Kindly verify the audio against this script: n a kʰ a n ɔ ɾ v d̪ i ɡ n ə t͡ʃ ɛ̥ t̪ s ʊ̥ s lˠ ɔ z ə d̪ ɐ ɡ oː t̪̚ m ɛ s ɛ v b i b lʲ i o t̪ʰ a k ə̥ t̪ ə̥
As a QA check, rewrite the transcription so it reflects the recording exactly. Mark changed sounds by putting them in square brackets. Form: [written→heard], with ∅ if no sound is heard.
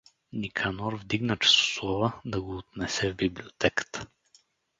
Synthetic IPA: n [a→i] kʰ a n ɔ ɾ v d̪ i ɡ n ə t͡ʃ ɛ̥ [t̪→∅] s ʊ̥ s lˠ ɔ [z→v] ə d̪ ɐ ɡ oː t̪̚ [m→n] ɛ s ɛ v b i b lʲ i o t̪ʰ [a→ɛ] k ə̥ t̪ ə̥